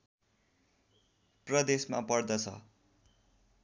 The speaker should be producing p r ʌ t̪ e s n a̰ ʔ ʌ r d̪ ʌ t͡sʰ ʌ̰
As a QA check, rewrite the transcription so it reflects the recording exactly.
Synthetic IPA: p r ʌ d̪ e s m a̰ p ʌ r d̪ ʌ t͡sʰ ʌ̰